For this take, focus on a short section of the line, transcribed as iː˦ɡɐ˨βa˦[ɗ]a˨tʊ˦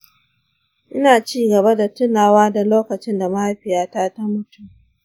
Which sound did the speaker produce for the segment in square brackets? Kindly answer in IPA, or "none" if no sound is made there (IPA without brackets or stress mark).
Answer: d